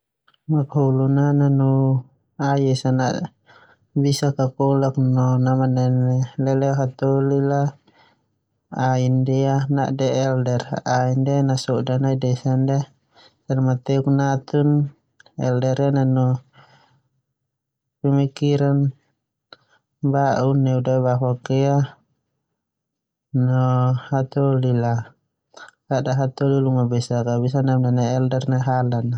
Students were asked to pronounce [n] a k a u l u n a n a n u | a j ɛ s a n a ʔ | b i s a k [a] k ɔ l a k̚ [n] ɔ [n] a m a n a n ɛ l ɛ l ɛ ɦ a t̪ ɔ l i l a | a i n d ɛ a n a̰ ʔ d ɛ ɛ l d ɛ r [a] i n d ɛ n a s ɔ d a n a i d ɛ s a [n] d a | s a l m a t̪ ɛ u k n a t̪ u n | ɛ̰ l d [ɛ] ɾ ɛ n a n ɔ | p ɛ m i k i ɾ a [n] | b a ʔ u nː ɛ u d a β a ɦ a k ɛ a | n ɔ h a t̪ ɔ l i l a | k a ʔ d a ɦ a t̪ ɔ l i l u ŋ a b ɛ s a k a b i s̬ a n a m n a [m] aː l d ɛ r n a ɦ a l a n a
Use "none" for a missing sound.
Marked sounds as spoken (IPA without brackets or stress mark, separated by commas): m, a, n, n, a, n, ɛ, n, n